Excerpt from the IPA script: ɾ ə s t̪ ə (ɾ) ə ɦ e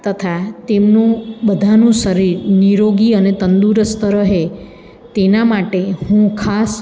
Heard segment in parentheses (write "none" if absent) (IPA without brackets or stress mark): ɾ